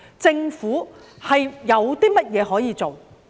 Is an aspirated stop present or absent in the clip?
absent